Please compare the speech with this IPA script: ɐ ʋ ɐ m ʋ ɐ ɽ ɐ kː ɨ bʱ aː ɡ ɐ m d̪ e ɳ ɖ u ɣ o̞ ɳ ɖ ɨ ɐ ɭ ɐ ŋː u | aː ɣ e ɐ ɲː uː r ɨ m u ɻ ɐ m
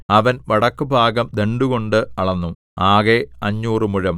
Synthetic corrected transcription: ɐ ʋ ɐ n ʋ ɐ ɽ ɐ kː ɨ bʱ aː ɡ ɐ m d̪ e ɳ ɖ u ɣ o̞ ɳ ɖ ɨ ɐ ɭ ɐ nː u | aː ɣ e ɐ ɲː uː r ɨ m u ɻ ɐ m

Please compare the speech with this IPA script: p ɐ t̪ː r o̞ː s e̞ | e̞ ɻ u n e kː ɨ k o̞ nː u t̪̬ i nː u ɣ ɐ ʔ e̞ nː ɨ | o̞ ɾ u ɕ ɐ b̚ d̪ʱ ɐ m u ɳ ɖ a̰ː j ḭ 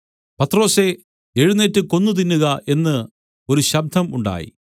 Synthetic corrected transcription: p ɐ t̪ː r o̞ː s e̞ | e̞ ɻ u n e tː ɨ k o̞ nː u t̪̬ i nː u ɣ ɐ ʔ e̞ nː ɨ | o̞ ɾ u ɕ ɐ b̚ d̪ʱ ɐ m u ɳ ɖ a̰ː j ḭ

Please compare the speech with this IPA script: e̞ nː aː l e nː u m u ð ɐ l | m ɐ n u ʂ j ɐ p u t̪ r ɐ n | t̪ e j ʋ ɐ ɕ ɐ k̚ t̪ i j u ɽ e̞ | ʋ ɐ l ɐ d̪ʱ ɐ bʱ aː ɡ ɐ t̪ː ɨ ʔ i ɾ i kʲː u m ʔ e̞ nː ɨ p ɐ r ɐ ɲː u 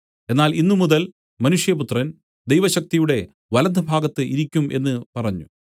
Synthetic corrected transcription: e̞ nː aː l i nː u m u ð ɐ l | m ɐ n u ʂ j ɐ p u t̪ r ɐ n | d̪ e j ʋ ɐ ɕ ɐ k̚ t̪ i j u ɽ e̞ | ʋ ɐ l ɐ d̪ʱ ɐ bʱ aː ɡ ɐ t̪ː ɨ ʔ i ɾ i kʲː u m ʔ e̞ nː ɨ p ɐ r ɐ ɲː u

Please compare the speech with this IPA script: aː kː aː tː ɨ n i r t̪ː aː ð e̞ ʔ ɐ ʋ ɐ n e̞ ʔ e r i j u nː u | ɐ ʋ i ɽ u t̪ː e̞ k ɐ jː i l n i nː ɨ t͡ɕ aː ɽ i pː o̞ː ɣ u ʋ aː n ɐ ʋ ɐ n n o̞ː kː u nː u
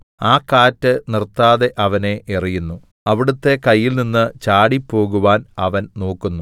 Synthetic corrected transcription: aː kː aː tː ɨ n i r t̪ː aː ð e̞ ʔ ɐ ʋ ɐ n e̞ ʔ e r i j u nː u | ɐ ʋ i ɽ u t̪ː e̞ k ɐ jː i l n i nː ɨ t͡ɕ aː ɽ i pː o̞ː ɣ u ʋ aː n ɐ ʋ ɐ n n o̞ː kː u nː u

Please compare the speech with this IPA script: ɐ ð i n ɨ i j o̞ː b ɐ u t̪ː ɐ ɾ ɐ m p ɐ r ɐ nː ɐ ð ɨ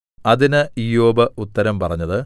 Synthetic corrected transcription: ɐ ð i n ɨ i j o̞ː b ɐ u t̪ː ɐ ɾ ɐ m p ɐ r ɐ ɲː ɐ ð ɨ

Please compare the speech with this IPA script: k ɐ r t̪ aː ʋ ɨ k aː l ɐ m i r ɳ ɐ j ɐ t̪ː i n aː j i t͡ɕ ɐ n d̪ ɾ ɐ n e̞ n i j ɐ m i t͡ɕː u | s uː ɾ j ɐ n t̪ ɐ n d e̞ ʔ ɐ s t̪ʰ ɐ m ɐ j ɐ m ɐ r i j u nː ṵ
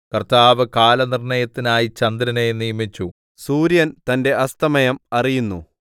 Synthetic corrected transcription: k ɐ r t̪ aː ʋ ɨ k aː l ɐ n i r ɳ ɐ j ɐ t̪ː i n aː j i t͡ɕ ɐ n d̪ ɾ ɐ n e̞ n i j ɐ m i t͡ɕː u | s uː ɾ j ɐ n t̪ ɐ n d e̞ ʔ ɐ s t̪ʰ ɐ m ɐ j ɐ m ɐ r i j u nː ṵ

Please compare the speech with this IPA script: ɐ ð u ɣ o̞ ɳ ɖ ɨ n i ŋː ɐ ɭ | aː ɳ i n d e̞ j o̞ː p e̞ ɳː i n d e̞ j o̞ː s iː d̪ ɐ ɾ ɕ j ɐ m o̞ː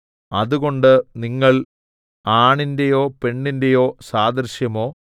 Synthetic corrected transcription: ɐ ð u ɣ o̞ ɳ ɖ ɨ n i ŋː ɐ ɭ | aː ɳ i n d e̞ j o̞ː p e̞ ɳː i n d e̞ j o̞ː s aː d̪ ɐ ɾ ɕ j ɐ m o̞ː

